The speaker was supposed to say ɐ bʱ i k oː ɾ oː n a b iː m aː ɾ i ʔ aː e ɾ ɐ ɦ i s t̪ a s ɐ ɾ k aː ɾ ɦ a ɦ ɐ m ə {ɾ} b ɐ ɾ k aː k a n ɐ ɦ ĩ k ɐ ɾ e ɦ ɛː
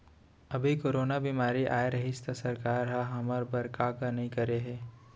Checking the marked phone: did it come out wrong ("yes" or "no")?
no